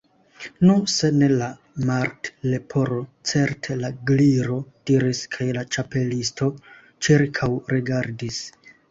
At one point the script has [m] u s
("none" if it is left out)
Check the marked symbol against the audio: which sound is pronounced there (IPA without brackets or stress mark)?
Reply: n